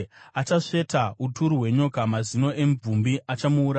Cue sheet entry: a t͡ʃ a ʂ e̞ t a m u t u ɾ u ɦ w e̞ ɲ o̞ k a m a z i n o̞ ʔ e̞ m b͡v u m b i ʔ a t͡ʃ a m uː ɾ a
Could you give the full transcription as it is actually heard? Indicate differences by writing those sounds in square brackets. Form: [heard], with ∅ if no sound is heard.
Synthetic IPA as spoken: a t͡ʃ a ʂ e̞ t a [∅] u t u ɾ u ɦ w e̞ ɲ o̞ k a m a z i n o̞ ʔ e̞ m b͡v u m b i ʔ a t͡ʃ a m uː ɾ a